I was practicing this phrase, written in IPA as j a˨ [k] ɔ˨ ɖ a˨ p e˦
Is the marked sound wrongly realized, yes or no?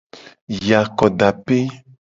no